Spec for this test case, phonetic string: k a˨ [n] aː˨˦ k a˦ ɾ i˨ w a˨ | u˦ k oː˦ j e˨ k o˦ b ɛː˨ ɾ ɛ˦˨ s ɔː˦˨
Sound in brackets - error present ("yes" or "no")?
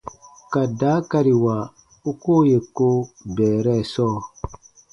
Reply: yes